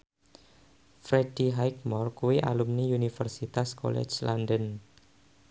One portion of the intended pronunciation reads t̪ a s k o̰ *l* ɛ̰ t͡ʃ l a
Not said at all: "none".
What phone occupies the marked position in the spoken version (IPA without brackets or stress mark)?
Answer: l